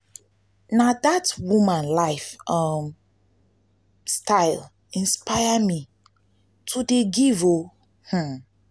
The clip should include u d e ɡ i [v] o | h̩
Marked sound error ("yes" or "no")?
no